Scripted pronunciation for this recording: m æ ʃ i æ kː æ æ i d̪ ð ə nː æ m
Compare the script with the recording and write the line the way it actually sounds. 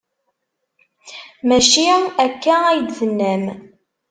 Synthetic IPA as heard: m æ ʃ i æ kː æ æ j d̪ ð ə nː æ m